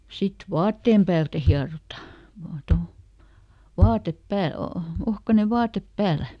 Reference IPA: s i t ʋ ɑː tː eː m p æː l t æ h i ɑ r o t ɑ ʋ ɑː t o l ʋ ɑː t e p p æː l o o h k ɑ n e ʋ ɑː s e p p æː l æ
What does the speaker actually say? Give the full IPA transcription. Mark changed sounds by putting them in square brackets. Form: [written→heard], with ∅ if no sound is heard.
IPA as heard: s i t ʋ ɑː tː eː m p æː l t æ h i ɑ r o t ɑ ʋ ɑː t o l ʋ ɑː t e p p æː l o o h k ɑ n e ʋ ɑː [s→t] e p p æː l æ